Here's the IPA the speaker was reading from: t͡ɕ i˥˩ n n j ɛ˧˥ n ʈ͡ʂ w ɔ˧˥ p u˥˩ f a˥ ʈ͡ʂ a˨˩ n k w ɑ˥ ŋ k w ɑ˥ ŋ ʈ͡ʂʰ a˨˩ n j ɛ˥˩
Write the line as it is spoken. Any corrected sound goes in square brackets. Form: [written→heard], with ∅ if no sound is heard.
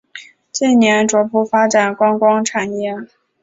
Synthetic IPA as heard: t͡ɕ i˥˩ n n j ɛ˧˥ n ʈ͡ʂ w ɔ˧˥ p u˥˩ f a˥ ʈ͡ʂ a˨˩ n k w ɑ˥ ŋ k w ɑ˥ ŋ ʈ͡ʂʰ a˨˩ n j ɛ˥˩